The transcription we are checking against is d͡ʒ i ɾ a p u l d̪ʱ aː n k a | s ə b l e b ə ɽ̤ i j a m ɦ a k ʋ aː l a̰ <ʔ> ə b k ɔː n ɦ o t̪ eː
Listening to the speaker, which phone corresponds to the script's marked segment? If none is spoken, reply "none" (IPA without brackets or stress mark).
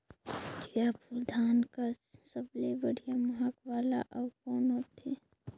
ʔ